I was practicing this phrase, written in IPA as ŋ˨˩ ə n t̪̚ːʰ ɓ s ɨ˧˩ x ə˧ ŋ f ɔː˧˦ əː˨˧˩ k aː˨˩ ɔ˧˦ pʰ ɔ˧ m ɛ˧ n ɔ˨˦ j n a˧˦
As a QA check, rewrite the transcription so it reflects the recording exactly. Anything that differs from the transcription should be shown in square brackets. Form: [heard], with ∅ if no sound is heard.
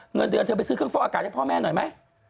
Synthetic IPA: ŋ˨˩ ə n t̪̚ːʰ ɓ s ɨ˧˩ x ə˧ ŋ f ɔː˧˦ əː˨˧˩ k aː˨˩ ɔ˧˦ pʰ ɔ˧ m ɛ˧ n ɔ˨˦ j [m] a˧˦